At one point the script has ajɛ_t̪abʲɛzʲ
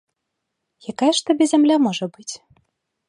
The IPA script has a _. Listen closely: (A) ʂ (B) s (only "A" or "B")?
A